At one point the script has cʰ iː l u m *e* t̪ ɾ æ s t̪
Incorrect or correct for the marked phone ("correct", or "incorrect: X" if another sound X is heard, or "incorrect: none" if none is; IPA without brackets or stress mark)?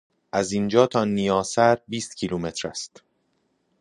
correct